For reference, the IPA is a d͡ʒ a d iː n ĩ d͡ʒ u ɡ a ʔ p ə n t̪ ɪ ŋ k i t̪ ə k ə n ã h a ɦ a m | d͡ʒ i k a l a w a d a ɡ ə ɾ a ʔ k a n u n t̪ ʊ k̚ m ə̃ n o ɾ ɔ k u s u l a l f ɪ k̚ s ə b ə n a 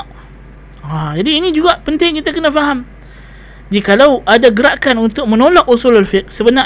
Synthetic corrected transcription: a d͡ʒ a d iː n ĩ d͡ʒ u ɡ a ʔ p ə n t̪ ɪ ŋ k i t̪ a k ə n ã f a ɦ a m | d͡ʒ i k a l a w a d a ɡ ə ɾ a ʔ k a n u n t̪ ʊ k̚ m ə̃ n o l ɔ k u s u l a l f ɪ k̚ s ə b ə n a